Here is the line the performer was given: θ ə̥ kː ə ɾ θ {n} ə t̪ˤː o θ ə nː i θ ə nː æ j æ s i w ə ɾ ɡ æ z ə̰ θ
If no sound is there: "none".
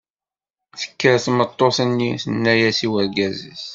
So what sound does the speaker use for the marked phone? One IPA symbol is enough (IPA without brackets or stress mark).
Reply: m